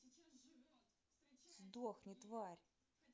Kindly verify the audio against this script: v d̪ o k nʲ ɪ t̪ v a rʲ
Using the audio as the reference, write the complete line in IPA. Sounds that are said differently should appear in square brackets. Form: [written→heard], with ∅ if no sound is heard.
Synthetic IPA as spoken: [v→z] d̪ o [k→x] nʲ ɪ t̪ v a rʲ